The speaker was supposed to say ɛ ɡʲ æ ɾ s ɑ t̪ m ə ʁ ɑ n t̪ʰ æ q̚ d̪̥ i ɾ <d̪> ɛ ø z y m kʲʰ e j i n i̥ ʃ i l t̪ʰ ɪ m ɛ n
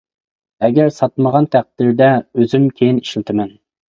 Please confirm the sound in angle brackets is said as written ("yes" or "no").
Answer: yes